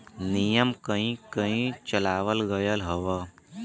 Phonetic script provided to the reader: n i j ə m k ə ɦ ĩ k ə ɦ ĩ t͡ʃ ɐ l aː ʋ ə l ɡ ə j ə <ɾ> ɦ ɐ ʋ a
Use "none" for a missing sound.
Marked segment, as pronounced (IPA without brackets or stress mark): l